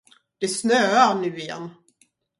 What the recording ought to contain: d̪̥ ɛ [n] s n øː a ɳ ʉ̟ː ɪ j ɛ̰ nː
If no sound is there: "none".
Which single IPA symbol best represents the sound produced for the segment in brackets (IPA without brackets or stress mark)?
none